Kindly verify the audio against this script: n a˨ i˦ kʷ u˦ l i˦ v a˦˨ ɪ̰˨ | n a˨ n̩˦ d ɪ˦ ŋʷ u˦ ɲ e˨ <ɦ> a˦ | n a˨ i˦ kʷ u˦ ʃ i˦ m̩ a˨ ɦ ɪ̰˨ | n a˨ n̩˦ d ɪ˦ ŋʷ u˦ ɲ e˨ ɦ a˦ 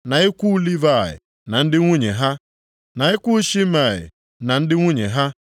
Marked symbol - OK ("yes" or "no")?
yes